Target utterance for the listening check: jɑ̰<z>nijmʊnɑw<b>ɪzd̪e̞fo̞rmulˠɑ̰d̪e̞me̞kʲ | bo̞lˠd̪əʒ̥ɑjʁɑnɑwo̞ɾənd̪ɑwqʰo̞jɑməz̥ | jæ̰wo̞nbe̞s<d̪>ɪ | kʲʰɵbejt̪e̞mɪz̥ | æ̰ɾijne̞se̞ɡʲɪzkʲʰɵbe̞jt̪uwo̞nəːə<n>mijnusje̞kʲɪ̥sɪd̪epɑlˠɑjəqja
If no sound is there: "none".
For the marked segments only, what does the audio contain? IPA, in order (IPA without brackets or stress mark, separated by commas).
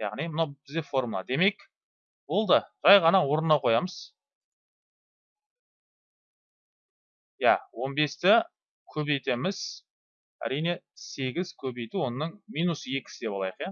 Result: ʁ, b, t̪, ɴ